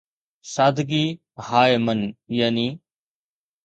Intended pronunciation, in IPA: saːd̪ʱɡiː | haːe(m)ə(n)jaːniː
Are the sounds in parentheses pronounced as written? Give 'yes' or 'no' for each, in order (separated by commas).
yes, yes